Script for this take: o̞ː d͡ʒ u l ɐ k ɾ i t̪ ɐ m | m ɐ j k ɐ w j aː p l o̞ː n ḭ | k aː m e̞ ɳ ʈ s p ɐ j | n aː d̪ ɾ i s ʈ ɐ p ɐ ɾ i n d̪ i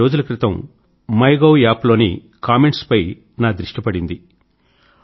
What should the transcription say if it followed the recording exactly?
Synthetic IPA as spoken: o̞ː d͡ʒ u l ɐ k ɾ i t̪ ɐ m | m ɐ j ɡ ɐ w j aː p l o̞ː n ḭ | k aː m e̞ ɳ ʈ s p ɐ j | n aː d̪ ɾ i ʂ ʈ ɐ p ɐ ɽ i n d̪ i